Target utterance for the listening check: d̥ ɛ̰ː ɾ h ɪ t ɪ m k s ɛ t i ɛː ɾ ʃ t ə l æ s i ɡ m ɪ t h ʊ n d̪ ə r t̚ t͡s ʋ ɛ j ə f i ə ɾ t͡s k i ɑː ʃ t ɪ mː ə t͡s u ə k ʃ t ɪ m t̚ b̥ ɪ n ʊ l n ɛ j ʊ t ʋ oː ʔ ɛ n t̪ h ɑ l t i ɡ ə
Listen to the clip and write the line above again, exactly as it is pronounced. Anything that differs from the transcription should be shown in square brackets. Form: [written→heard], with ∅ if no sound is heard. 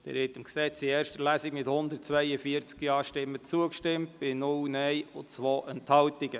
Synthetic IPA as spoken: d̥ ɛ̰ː ɾ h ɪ t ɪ m k s ɛ [t→t͡s] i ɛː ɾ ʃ t ə l æ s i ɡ m ɪ t h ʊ n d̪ ə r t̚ t͡s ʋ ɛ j ə f i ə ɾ t͡s k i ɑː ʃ t ɪ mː ə t͡s u ə k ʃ t ɪ m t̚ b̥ ɪ n ʊ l n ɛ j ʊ [t→t͡s] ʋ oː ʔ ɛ n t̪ h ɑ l t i ɡ ə